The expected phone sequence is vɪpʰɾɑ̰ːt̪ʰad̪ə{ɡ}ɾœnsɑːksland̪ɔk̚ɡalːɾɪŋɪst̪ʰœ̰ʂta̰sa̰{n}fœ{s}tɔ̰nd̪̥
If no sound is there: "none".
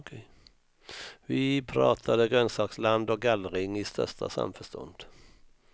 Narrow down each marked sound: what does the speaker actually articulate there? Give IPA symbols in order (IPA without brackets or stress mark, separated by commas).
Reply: ɡ, m, ʂ